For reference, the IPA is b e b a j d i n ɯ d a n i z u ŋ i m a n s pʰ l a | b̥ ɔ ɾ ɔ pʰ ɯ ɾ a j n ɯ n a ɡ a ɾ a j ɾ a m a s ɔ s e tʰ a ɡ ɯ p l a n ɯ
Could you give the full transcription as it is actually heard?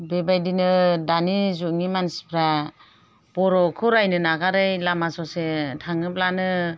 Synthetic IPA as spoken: b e b a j d i n ɯ d a n i z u ŋ i m a n s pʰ ɾ a | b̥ ɔ ɾ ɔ kʰ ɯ ɾ a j n ɯ n a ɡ a ɾ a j l a m a s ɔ s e tʰ a ŋ ɯ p l a n ɯ

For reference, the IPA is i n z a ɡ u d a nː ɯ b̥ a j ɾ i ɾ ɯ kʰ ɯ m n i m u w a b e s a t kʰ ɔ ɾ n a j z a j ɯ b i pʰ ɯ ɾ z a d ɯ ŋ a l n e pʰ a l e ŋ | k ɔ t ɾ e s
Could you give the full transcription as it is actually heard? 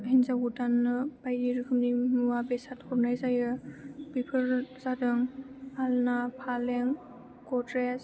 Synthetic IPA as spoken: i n z a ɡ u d a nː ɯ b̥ a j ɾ i ɾ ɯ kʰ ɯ m n i m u w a b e s a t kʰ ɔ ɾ n a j z a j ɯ b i pʰ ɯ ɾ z a d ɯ ŋ a l n a pʰ a l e ŋ | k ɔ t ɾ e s

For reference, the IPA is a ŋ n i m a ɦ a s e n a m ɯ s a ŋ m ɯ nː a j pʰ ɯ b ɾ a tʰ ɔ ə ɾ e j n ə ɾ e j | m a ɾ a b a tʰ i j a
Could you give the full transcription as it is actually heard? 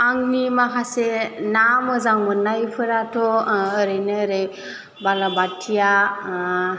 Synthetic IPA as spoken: a ŋ n i m a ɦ a s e n a m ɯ z a ŋ m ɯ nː a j pʰ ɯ ɾ a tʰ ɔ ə ɾ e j n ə ɾ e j | b a l a b a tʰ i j a

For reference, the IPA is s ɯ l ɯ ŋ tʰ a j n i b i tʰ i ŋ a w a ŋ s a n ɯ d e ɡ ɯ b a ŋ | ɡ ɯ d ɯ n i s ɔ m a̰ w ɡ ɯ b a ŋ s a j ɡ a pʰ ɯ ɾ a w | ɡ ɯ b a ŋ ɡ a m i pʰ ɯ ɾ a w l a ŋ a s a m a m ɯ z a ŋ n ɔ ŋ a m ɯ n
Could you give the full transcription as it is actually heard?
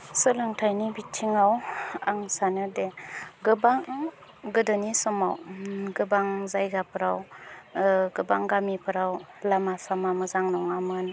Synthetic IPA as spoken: s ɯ l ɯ ŋ tʰ a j n i b i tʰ i ŋ a w a ŋ s a n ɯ d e ɡ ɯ b a ŋ | ɡ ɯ d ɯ n i s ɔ m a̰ w ɡ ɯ b a ŋ z a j ɡ a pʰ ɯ ɾ a w | ɡ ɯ b a ŋ ɡ a m i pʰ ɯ ɾ a w l a m a s a m a m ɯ z a ŋ n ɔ ŋ a m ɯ n

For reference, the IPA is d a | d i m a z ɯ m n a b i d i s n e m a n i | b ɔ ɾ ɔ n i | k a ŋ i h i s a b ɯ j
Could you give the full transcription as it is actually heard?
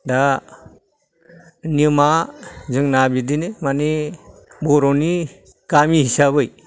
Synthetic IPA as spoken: d a | n i m a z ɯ ŋ n a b i d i n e m a n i | b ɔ ɾ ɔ n i | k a m i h i s a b ɯ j

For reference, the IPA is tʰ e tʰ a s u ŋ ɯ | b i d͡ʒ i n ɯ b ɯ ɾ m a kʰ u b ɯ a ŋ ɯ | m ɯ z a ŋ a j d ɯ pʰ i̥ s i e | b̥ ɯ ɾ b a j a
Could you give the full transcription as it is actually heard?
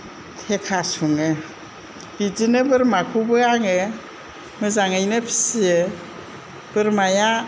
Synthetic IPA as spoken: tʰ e kʰ a s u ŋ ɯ | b i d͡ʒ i n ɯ b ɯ ɾ m a kʰ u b ɯ a ŋ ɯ | m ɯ z a ŋ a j n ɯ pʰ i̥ s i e | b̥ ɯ ɾ m a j a

